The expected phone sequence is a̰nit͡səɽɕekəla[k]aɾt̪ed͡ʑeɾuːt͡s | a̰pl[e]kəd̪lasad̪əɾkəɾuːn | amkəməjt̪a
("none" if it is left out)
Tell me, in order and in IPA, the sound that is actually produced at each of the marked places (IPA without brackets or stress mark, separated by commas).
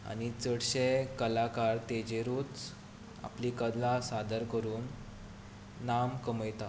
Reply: k, i